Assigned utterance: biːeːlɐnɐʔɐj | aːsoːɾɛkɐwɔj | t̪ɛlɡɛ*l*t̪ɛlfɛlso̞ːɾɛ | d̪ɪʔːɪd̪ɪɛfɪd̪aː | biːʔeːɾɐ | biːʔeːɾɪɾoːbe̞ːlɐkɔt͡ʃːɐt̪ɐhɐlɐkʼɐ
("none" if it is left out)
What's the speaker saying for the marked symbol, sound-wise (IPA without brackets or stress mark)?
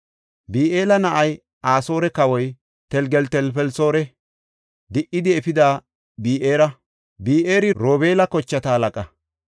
l